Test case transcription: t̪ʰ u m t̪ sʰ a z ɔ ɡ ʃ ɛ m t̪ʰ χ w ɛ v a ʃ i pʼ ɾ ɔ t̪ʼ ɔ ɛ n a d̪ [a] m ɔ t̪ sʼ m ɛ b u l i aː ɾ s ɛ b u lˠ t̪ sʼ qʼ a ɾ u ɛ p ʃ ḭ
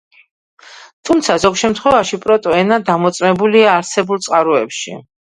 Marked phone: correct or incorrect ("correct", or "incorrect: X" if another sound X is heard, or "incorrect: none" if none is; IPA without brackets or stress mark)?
correct